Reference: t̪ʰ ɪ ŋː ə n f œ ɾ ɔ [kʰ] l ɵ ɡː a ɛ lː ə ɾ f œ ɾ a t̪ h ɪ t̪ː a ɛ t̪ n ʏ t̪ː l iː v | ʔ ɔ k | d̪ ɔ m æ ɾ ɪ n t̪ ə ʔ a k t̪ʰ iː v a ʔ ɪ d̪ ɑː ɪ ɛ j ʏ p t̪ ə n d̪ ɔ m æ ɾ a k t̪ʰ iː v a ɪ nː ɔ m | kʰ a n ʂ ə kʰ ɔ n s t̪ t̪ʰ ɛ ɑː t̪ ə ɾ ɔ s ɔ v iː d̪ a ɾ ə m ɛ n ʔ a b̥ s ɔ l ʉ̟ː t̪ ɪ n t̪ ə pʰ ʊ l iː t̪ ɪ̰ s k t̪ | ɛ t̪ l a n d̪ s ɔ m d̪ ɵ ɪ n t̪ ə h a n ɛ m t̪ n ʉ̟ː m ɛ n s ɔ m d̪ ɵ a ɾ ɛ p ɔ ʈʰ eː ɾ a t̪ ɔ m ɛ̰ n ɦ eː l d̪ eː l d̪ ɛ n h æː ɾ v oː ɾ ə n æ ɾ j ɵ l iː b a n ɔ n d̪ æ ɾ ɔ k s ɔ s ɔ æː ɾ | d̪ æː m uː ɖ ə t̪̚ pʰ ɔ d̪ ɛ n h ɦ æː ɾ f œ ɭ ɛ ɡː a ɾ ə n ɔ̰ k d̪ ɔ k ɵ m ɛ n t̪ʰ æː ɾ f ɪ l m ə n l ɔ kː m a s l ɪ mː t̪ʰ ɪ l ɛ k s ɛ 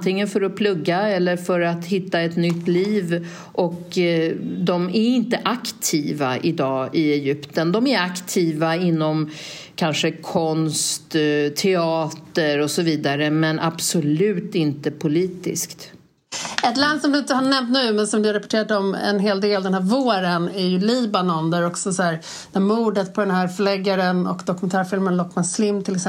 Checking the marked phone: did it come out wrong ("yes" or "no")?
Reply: yes